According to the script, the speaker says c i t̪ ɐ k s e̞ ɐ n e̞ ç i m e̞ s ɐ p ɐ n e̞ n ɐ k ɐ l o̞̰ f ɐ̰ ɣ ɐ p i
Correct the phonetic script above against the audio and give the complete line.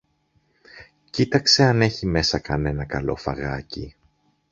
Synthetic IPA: c i t̪ ɐ k s e̞ ɐ n e̞ ç i m e̞ s ɐ k ɐ n e̞ n ɐ k ɐ l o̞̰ f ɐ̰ ɣ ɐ c i